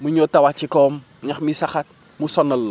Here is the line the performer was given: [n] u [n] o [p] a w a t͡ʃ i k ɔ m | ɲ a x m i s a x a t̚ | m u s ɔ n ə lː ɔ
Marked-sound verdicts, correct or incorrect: incorrect: m, incorrect: ɲ, incorrect: t

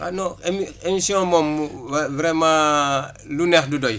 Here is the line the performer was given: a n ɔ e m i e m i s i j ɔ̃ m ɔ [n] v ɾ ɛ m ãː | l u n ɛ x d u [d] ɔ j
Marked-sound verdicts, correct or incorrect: incorrect: m, correct

